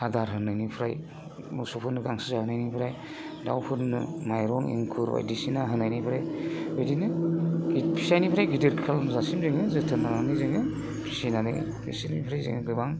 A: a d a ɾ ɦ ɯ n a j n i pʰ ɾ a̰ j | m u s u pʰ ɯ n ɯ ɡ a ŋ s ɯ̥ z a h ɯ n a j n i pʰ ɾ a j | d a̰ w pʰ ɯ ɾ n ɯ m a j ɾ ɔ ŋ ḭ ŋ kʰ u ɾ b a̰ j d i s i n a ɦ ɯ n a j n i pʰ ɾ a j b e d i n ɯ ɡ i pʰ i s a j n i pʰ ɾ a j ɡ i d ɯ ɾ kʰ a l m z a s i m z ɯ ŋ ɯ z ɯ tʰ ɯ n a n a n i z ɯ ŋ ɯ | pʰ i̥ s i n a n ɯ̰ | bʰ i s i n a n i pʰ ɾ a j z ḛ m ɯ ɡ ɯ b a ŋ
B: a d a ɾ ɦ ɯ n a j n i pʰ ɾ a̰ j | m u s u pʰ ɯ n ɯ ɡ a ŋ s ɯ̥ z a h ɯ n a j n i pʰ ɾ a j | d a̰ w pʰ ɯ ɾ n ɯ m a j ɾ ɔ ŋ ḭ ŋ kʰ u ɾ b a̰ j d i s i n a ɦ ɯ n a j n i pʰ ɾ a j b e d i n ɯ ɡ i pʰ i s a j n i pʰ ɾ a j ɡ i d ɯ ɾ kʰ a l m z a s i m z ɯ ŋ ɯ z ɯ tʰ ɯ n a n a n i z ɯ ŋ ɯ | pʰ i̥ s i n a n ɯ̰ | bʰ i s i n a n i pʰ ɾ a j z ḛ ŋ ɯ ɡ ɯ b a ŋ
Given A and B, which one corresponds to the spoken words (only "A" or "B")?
B